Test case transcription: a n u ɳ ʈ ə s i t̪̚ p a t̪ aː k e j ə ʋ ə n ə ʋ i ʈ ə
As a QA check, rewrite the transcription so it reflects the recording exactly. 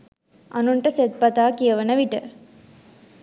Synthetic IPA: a n u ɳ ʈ ə s e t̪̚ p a t̪ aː k i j ə ʋ ə n ə ʋ i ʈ ə